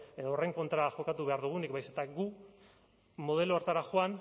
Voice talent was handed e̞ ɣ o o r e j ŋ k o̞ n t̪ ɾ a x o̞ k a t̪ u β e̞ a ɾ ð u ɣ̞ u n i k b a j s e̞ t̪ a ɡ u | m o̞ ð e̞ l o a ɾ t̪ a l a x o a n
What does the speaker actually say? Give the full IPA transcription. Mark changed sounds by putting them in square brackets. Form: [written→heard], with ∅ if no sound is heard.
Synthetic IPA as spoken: e̞ [ɣ→ð] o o r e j ŋ k o̞ n t̪ ɾ a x o̞ k a t̪ u β e̞ a ɾ ð u ɣ̞ u n i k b a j s e̞ t̪ a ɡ u | m o̞ ð e̞ l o a ɾ t̪ a [l→ɾ] a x o a n